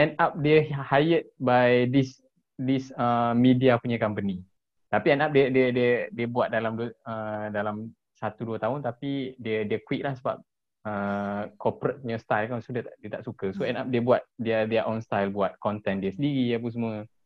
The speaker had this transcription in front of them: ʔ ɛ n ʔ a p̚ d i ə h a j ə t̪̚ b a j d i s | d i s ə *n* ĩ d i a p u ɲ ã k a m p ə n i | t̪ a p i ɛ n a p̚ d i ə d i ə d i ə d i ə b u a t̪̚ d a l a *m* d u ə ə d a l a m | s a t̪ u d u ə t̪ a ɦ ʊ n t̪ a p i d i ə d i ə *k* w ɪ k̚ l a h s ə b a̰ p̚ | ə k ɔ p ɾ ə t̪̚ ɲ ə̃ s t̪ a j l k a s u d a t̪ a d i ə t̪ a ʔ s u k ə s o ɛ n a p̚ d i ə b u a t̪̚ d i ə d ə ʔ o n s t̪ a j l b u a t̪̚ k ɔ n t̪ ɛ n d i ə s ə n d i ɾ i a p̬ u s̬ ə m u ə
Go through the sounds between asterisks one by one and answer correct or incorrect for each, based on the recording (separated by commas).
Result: incorrect, correct, correct